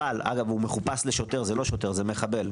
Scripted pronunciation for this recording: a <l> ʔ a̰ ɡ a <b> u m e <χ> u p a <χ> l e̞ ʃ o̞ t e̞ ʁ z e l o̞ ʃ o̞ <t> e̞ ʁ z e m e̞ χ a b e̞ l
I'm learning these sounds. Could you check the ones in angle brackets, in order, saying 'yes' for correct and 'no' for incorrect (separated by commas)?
yes, no, yes, no, yes